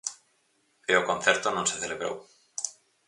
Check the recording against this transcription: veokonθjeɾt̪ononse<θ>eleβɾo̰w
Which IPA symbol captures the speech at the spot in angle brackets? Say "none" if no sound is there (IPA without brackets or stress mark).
θ